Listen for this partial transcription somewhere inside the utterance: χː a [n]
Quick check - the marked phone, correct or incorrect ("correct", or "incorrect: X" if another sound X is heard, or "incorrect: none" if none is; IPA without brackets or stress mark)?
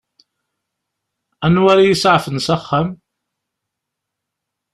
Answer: incorrect: m